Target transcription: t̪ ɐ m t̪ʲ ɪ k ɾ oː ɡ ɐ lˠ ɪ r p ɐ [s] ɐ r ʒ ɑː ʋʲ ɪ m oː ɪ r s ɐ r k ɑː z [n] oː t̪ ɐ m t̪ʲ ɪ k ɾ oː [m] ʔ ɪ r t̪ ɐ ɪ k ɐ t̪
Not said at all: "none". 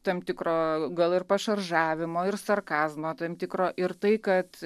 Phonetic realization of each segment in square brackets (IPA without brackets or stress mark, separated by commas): ʃ, m, none